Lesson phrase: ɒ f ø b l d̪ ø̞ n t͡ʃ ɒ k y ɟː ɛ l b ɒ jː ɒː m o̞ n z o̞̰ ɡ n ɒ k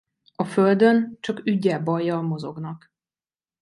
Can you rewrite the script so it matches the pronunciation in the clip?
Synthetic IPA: ɒ f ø l d̪ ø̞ n t͡ʃ ɒ k y ɟː ɛ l b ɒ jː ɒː m o̞ z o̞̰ ɡ n ɒ k